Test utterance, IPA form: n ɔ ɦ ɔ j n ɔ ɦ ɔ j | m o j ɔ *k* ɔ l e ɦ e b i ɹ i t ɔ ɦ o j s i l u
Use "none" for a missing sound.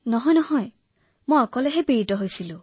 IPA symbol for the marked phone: k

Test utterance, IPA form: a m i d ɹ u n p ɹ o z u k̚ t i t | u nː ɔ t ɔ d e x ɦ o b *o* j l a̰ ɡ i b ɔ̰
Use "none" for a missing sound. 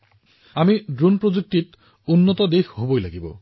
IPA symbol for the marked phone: o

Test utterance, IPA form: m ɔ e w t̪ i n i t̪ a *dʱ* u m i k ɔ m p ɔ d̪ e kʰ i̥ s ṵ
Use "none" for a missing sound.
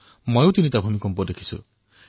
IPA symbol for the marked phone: bʱ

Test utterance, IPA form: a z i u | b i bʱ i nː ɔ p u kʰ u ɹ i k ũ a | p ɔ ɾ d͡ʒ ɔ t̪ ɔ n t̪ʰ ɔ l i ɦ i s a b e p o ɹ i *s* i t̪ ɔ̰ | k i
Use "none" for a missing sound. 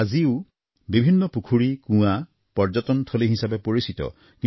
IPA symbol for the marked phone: s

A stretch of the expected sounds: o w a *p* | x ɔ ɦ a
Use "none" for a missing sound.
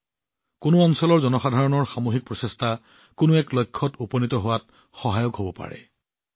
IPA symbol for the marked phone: t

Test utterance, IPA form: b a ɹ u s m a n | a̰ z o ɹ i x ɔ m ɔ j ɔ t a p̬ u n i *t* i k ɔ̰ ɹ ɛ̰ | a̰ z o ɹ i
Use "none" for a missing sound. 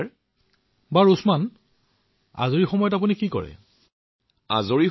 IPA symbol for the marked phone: k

